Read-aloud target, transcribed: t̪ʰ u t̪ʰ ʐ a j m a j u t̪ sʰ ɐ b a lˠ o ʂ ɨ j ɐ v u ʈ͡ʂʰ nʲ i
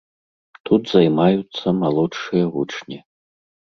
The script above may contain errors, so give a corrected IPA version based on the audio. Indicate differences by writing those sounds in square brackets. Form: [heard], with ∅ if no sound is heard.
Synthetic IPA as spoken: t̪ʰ u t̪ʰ [z] a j m a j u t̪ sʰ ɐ [m] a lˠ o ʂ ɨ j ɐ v u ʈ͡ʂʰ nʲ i